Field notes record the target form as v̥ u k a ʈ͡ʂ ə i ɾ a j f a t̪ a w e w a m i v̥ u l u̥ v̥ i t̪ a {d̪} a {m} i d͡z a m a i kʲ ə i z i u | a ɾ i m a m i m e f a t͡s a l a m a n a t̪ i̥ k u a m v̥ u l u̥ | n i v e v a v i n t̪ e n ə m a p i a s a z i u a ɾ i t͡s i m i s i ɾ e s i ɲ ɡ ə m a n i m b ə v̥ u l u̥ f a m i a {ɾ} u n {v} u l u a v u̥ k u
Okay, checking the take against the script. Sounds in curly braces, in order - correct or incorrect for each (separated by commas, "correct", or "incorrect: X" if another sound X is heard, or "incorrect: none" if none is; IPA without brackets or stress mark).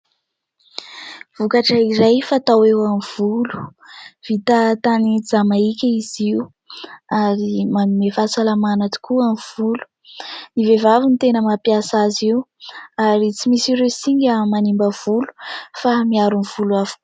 incorrect: t̪, incorrect: n, correct, correct